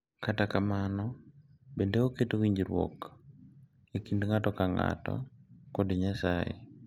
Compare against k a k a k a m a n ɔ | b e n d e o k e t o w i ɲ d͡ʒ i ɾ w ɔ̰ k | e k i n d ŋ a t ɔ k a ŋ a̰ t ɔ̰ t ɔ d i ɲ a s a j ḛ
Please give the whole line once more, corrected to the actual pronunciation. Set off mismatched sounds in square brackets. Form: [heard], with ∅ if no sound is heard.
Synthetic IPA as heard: k a [t] a k a m a n ɔ | b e n d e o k e t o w i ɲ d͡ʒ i ɾ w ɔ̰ k | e k i n d ŋ a t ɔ k a ŋ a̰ t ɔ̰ [k] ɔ d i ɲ a s a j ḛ